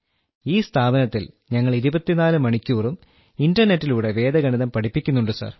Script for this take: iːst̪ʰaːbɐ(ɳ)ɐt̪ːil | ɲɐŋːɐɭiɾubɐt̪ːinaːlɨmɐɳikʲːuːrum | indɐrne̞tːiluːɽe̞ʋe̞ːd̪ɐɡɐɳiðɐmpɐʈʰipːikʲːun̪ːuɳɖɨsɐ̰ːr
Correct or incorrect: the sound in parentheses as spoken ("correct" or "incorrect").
incorrect